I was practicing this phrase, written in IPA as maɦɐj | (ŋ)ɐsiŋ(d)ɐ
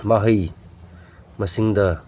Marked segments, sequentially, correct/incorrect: incorrect: m, correct

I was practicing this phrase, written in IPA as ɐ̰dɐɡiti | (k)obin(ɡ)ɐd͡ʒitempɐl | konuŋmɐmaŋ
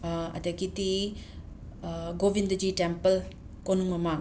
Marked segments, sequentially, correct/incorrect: incorrect: ɡ, incorrect: d

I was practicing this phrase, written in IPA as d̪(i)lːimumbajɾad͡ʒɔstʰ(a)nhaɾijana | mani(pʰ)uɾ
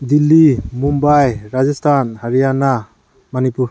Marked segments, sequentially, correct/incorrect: correct, correct, incorrect: p

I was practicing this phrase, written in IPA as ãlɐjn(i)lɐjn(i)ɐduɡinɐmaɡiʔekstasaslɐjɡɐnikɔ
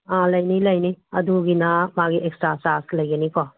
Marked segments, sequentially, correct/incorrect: correct, correct

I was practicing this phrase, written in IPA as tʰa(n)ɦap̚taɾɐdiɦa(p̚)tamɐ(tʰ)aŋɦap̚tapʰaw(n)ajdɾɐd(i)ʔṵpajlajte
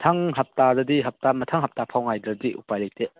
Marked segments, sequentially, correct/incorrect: incorrect: ŋ, correct, correct, incorrect: ŋ, correct

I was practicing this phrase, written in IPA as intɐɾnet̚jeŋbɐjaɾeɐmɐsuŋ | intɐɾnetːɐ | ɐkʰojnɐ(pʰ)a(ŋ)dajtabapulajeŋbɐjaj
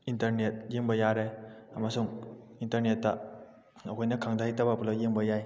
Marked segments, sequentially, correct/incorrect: incorrect: kʰ, correct

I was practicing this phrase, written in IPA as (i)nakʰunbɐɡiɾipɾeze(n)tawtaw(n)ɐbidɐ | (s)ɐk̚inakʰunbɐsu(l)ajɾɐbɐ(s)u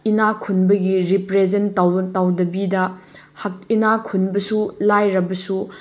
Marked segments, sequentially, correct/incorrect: correct, correct, incorrect: d, incorrect: h, correct, correct

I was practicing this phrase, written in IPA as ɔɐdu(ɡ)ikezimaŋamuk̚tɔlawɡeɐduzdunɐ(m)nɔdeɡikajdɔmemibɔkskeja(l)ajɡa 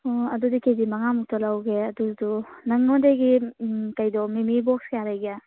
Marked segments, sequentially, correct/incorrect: incorrect: d, incorrect: ŋ, incorrect: ɾ

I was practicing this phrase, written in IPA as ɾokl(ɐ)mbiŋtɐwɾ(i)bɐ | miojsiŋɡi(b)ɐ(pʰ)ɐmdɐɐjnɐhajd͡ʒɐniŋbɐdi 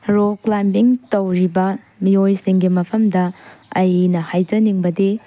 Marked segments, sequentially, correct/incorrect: incorrect: a, correct, incorrect: m, correct

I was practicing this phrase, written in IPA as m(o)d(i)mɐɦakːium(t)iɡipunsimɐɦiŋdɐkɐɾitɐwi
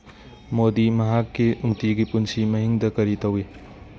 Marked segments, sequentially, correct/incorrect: correct, correct, correct

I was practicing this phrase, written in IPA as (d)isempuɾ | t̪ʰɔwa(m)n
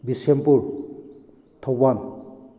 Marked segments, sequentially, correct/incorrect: incorrect: b, incorrect: none

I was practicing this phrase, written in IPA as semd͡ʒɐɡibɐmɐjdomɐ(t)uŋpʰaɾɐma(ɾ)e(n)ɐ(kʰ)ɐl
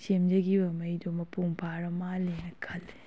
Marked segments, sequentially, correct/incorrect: incorrect: p, incorrect: l, correct, correct

